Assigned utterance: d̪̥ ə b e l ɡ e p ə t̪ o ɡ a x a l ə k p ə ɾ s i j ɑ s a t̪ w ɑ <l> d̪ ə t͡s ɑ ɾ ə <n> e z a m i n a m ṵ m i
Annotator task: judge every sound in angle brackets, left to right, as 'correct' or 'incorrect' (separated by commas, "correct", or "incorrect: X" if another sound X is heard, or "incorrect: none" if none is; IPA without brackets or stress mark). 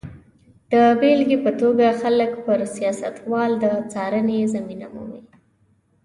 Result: correct, correct